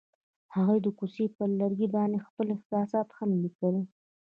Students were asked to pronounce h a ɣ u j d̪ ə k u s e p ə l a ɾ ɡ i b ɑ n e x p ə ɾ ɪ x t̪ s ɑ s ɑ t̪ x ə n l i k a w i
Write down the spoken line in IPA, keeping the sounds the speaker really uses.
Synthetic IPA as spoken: h a ɣ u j d̪ ə k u s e p ə l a ɾ ɡ i b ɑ n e x p ə l ɪ x t̪ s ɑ s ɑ t̪ x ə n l i k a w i